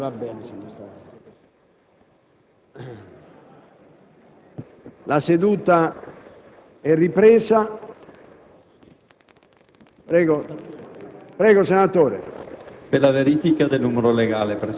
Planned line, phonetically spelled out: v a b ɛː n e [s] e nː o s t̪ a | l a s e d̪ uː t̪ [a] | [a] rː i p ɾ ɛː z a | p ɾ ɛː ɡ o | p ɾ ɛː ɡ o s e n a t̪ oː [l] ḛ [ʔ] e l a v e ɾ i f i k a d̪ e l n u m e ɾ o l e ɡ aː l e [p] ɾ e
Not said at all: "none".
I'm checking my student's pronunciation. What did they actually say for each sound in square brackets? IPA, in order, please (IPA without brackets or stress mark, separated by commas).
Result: s, a, ɛ, ɾ, p, p